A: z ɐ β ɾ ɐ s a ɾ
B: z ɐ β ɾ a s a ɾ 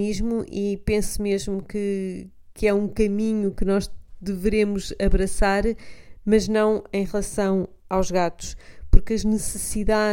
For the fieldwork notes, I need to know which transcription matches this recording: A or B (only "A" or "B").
A